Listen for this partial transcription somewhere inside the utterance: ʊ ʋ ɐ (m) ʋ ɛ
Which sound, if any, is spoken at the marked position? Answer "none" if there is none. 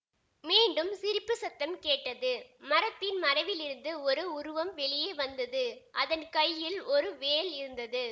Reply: m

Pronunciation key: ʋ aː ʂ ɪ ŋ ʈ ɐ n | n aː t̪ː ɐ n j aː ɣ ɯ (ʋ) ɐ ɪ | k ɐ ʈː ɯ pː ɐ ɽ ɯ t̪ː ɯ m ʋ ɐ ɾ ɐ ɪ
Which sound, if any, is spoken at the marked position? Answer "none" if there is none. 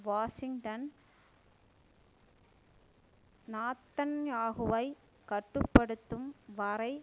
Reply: ʋ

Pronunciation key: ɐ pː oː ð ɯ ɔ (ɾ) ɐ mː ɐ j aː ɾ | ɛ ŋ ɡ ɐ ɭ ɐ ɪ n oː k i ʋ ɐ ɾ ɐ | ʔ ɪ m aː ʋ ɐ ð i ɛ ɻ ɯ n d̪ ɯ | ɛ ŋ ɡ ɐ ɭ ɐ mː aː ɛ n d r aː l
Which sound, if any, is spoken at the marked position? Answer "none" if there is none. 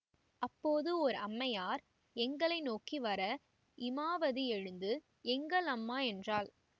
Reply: ɾ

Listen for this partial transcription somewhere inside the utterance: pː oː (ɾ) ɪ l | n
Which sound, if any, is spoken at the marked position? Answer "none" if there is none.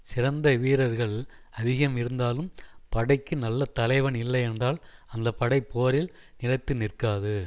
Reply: ɾ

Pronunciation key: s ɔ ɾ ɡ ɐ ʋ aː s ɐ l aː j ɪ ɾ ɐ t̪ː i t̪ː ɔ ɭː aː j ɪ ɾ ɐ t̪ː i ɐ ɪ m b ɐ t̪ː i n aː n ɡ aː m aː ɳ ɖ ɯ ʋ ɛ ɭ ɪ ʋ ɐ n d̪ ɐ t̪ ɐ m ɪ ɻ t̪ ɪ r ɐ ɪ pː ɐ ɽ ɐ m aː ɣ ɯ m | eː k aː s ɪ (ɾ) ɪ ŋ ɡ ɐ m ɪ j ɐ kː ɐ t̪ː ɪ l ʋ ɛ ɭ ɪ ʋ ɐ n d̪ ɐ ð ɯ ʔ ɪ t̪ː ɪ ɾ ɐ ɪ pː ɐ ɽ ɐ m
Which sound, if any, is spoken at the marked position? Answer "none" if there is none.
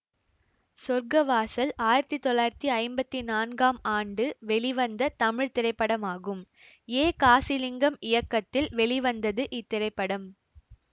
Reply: l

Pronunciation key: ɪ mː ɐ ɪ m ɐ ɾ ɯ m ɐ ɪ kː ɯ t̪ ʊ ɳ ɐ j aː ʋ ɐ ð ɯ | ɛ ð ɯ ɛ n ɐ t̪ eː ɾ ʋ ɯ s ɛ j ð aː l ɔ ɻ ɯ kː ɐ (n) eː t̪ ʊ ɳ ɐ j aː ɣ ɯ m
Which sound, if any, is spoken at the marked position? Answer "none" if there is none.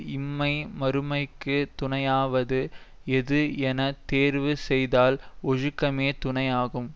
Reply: m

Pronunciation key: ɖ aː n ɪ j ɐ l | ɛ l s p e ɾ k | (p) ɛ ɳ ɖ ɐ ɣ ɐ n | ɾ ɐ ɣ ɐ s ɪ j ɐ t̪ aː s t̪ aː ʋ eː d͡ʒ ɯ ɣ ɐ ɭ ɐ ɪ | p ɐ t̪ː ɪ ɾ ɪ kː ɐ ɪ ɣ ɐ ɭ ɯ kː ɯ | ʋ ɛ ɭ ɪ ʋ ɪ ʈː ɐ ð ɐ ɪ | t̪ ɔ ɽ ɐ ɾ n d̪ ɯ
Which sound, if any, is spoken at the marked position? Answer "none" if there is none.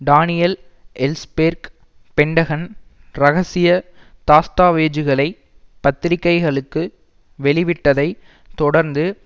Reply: p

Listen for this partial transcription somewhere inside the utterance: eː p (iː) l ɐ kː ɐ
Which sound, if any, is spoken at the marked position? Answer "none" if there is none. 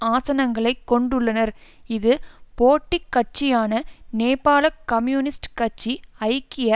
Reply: aː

